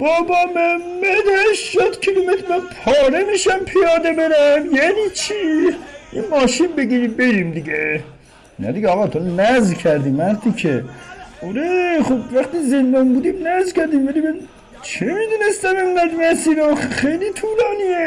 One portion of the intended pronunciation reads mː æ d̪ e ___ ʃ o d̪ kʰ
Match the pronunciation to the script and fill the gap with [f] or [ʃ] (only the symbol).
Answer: ʃ